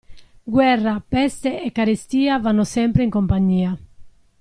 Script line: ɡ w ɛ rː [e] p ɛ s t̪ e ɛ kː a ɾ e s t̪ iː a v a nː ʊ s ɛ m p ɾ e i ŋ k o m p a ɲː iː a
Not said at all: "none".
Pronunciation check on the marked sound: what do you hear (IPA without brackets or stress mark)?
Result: a